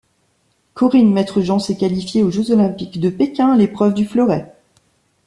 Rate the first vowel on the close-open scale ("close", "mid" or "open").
mid